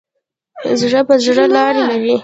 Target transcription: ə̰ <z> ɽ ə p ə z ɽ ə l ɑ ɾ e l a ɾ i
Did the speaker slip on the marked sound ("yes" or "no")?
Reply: no